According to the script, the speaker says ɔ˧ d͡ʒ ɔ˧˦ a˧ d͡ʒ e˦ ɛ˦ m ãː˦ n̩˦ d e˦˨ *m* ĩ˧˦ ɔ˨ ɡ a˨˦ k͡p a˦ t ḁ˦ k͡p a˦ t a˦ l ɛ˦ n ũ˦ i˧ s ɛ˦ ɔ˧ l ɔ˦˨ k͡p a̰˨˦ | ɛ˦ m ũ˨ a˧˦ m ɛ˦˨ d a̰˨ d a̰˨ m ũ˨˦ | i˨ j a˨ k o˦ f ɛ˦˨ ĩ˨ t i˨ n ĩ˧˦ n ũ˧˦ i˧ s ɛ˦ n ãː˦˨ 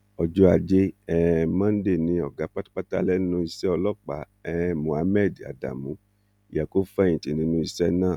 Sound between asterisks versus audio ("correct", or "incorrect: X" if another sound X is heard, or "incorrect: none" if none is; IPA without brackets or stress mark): incorrect: n